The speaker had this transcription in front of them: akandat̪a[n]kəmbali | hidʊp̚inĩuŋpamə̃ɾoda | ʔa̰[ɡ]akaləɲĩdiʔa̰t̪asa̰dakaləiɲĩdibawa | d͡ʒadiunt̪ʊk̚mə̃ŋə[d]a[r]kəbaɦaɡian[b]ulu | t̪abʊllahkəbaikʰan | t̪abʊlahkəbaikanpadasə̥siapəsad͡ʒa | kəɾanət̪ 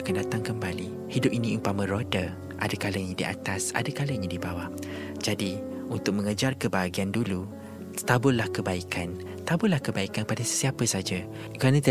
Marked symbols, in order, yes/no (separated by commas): no, no, no, yes, no